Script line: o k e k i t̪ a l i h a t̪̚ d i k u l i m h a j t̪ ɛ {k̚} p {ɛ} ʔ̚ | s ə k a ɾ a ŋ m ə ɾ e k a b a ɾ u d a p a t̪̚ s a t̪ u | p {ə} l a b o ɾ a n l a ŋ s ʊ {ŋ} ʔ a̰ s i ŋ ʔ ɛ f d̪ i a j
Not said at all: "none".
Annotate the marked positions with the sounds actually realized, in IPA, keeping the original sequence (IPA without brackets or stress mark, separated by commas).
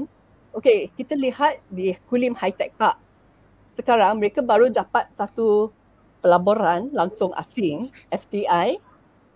k̚, a, ə, ŋ